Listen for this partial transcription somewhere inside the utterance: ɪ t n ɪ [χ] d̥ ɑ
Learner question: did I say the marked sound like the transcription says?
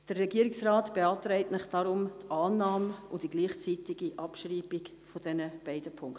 yes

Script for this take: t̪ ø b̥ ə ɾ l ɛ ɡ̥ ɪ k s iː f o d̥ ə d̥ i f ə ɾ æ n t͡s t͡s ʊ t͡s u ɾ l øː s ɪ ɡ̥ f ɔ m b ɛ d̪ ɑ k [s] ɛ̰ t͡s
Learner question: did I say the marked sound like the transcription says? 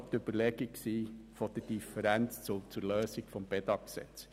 yes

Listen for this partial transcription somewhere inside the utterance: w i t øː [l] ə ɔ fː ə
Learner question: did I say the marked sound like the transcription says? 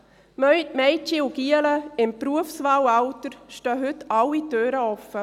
no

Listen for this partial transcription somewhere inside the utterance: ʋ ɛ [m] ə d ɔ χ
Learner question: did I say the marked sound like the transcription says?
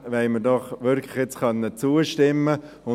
yes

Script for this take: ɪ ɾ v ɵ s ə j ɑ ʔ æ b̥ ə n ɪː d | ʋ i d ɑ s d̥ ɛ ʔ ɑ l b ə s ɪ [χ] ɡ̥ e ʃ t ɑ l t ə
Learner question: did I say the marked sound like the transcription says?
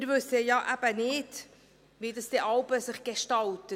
yes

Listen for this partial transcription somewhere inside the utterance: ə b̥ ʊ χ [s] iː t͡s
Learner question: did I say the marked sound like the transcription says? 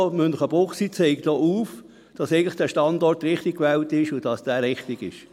yes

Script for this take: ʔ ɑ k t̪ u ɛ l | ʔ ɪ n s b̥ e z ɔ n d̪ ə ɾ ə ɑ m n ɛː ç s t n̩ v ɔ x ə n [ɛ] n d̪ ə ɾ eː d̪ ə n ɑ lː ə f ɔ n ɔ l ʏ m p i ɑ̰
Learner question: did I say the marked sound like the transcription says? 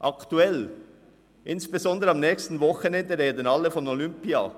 yes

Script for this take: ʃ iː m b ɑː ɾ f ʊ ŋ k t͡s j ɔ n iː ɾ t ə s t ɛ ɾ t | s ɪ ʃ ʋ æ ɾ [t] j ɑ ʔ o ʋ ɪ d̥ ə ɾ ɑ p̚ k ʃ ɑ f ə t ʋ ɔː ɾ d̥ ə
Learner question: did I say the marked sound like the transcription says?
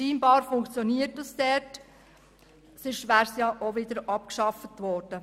no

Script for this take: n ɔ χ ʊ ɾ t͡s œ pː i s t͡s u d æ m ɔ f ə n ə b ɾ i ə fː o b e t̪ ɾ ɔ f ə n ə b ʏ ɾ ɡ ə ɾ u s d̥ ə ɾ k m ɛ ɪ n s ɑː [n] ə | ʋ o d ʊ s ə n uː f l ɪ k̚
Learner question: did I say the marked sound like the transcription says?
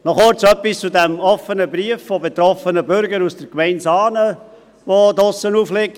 yes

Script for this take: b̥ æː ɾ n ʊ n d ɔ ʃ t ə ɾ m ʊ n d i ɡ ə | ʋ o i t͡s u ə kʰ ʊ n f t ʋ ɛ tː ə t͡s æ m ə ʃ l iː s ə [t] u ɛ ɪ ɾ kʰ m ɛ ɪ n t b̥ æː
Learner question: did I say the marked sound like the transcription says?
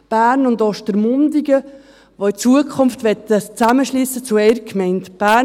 no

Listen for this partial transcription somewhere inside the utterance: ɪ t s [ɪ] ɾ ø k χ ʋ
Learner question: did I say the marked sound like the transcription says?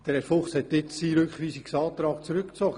no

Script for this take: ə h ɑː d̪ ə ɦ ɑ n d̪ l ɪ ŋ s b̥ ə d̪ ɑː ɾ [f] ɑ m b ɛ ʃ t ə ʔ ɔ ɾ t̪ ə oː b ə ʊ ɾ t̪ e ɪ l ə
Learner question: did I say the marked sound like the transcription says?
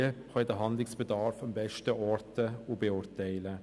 yes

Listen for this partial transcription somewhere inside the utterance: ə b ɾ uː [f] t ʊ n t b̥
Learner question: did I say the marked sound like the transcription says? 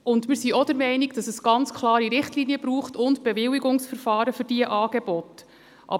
no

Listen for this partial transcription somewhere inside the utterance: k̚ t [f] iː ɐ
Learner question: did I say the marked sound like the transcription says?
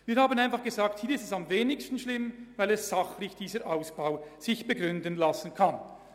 no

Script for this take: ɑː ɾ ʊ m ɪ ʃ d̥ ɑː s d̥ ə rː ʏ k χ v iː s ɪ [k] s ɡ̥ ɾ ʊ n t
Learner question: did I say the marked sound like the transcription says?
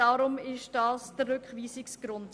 yes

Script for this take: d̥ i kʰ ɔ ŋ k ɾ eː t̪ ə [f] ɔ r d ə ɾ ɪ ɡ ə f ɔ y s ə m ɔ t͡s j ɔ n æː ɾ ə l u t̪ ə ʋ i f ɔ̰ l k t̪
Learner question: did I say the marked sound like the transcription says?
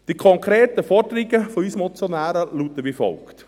yes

